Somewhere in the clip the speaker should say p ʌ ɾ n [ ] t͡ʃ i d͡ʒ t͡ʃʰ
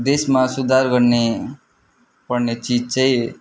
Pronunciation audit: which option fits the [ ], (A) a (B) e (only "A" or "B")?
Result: B